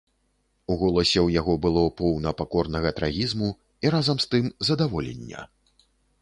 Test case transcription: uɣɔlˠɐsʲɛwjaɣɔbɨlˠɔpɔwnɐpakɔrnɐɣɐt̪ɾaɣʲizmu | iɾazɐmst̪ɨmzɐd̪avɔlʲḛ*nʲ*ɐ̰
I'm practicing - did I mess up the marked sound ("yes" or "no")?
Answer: yes